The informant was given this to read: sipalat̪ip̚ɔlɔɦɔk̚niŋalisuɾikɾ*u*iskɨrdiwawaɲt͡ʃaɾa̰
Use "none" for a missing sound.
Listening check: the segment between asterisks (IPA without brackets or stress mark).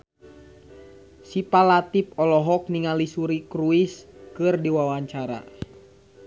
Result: u